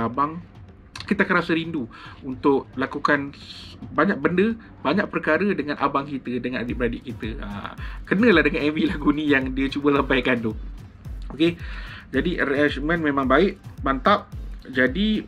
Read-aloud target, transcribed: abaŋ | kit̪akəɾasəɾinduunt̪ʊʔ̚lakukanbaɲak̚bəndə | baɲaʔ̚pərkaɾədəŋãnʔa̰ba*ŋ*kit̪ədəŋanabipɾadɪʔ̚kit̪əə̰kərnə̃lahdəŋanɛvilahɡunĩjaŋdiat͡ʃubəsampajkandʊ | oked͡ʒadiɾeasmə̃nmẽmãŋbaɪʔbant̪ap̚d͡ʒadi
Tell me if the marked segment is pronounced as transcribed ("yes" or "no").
yes